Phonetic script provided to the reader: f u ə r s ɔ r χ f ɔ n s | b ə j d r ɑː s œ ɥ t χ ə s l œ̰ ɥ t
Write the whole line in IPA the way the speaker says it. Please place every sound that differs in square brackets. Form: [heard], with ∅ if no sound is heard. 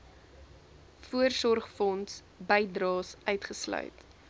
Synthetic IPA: f u ə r s ɔ r χ f ɔ n s | b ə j d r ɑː s œ ɥ t χ ə s l œ̰ ɥ t